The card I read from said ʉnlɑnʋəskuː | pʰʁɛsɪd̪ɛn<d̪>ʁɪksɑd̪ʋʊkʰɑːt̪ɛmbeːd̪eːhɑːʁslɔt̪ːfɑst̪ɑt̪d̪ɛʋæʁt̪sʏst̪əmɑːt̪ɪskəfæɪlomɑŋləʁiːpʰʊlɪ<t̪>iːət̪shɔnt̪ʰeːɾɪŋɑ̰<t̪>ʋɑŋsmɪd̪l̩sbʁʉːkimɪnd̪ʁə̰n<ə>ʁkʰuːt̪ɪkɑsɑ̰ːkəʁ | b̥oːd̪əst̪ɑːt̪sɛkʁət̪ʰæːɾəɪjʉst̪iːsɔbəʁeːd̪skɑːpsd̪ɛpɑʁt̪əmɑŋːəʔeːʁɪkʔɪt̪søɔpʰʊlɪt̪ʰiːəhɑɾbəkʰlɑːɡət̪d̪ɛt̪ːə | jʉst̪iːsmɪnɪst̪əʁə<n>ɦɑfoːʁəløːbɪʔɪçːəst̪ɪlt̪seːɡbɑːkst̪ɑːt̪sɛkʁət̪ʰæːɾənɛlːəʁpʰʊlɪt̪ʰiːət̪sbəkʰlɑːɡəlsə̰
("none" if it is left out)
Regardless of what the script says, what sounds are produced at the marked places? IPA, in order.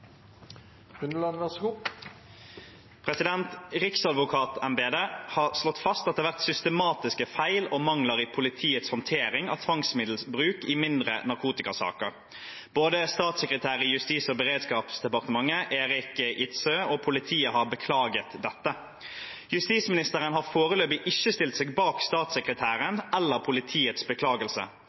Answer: t̪, t̪ʰ, t̪ʰ, ɑ, n

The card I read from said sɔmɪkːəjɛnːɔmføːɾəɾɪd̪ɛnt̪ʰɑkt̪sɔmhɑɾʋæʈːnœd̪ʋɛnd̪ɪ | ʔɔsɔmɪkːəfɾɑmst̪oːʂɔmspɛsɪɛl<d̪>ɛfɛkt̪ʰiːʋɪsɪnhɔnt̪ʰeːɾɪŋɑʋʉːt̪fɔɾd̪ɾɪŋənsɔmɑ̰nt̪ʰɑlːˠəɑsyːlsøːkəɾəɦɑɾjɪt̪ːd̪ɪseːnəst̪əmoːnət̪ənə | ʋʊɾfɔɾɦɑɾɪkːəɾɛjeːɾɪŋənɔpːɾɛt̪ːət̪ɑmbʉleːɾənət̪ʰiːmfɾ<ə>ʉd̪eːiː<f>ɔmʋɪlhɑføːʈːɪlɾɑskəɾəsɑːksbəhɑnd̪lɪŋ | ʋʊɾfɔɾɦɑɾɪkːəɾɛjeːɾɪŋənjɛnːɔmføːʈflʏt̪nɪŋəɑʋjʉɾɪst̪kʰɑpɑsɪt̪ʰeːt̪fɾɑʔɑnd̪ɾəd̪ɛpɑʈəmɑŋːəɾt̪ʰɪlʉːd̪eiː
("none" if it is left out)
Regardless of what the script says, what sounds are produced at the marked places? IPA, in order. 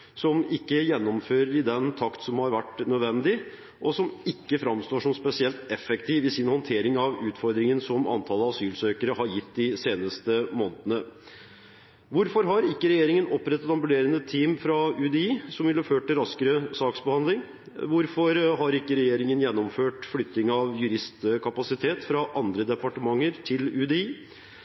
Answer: t̪, ɑ, s

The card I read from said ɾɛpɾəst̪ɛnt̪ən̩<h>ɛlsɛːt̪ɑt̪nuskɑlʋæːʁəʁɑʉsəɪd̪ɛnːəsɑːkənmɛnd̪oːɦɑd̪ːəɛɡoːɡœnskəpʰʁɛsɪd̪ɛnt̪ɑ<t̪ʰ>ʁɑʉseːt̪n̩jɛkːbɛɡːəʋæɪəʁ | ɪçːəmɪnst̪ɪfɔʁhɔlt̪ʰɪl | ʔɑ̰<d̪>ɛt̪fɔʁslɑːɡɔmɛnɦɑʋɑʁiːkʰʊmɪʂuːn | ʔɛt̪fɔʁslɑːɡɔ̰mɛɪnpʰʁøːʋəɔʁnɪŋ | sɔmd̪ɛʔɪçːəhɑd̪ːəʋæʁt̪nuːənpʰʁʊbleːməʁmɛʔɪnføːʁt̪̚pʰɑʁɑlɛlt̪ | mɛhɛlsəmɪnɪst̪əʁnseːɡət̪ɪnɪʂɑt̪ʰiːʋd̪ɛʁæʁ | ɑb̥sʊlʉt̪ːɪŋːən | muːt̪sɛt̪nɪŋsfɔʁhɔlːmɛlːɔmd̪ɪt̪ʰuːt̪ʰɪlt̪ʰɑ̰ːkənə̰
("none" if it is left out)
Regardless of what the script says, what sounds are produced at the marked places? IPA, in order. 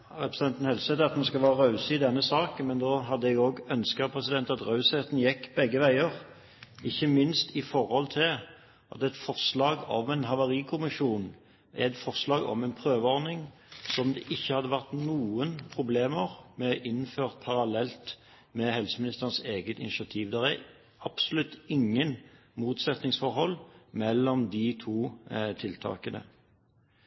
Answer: h, t̪, t̪

